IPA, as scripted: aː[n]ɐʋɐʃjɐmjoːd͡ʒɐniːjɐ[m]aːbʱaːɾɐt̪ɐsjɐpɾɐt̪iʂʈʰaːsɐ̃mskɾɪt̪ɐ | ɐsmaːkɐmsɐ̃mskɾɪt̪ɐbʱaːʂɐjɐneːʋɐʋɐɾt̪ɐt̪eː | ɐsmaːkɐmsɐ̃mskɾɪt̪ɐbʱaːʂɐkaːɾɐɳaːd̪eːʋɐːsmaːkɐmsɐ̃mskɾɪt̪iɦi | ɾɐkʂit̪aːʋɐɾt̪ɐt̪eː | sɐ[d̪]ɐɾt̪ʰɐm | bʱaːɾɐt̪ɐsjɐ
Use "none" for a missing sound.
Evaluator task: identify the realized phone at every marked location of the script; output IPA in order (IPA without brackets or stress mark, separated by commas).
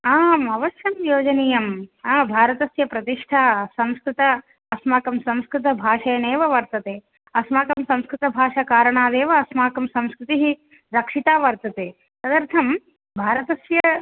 m, m, d̪